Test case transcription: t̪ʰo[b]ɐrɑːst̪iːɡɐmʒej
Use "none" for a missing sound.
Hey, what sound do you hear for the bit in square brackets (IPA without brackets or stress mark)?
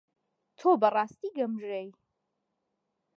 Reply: b